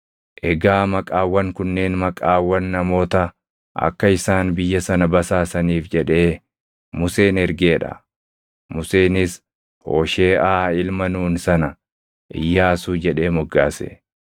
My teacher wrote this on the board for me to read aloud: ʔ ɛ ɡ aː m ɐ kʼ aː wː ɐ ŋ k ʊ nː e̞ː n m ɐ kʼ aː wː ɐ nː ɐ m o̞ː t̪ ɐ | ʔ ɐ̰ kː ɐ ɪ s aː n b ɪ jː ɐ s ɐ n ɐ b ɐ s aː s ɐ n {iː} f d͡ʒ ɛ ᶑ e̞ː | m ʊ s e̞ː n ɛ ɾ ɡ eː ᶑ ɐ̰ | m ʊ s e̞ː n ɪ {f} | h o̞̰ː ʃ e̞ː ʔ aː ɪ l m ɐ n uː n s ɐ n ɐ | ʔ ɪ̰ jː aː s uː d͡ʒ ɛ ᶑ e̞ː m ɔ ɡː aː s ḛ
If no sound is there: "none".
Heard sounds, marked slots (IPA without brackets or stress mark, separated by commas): iː, s